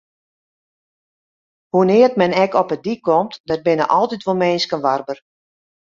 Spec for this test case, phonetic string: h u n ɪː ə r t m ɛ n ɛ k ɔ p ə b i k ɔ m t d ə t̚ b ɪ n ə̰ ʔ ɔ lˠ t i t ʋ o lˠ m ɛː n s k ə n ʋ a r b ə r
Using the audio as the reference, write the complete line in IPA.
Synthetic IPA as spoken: h u n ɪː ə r t m ɛ n ɛ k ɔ p ə d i k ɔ m t d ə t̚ b ɪ n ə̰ ʔ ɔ lˠ t i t ʋ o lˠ m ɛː n s k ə n ʋ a r b ə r